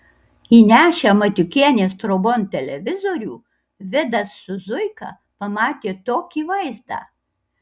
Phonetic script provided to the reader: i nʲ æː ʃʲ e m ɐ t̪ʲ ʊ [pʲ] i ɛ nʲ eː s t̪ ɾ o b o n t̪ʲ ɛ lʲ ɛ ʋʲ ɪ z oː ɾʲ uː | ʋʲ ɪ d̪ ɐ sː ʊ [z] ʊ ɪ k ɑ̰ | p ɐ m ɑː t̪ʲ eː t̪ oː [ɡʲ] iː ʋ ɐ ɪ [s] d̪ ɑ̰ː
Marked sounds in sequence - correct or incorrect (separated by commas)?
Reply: incorrect, correct, incorrect, incorrect